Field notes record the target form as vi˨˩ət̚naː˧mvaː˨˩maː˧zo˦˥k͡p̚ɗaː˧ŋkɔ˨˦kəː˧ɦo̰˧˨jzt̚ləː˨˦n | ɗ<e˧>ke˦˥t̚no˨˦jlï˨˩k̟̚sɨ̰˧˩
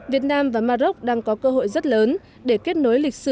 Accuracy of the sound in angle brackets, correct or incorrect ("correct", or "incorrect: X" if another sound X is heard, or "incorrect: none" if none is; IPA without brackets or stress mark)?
incorrect: e˧˩